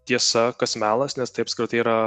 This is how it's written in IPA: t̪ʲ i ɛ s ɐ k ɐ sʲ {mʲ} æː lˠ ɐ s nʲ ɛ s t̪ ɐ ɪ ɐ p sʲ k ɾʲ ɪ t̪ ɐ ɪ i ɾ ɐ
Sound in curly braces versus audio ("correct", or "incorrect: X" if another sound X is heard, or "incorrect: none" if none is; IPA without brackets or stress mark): correct